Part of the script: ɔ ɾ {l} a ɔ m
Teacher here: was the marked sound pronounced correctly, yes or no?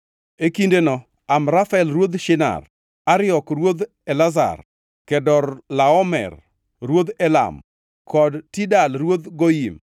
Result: yes